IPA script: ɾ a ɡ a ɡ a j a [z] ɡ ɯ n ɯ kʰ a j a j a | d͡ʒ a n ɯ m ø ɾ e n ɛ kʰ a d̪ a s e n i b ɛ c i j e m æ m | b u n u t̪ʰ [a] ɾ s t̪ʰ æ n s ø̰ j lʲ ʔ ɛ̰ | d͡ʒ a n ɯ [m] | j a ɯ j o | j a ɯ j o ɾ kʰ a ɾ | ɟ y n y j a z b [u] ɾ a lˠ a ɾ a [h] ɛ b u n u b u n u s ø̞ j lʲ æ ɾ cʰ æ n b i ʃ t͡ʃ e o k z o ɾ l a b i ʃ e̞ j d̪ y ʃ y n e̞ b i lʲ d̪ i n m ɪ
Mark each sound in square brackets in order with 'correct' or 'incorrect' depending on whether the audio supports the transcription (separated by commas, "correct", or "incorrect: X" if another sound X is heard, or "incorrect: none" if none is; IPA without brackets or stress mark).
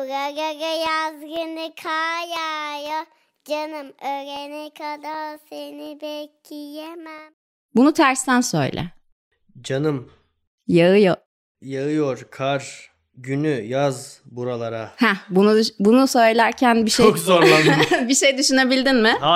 correct, incorrect: æ, correct, correct, correct